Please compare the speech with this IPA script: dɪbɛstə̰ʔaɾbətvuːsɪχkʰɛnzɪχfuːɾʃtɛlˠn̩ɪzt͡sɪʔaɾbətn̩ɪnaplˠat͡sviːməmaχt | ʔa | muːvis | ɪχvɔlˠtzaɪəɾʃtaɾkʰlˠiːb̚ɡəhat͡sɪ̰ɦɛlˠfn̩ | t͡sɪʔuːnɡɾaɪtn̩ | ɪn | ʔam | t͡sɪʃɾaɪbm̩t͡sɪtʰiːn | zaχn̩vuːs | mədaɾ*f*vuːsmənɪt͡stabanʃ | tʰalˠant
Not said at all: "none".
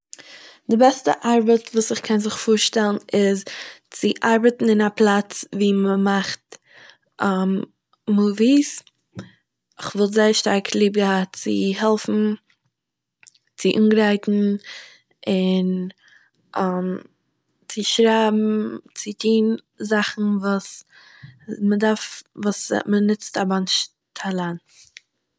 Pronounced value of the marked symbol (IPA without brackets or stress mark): f